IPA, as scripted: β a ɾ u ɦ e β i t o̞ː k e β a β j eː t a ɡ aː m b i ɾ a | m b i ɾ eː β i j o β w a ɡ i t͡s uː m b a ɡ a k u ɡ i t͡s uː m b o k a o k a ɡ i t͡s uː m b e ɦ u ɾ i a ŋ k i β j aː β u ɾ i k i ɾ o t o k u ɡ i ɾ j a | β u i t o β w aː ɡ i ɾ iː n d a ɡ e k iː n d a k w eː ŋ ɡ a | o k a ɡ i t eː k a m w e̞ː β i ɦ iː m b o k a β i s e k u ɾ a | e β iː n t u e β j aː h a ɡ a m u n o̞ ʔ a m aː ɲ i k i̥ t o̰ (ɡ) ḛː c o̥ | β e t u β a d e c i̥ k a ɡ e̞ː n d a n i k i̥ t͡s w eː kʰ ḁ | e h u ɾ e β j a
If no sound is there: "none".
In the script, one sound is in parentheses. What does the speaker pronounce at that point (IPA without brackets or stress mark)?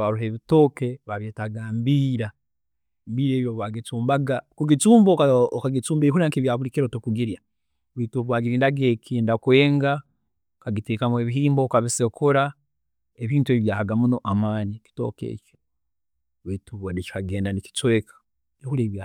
k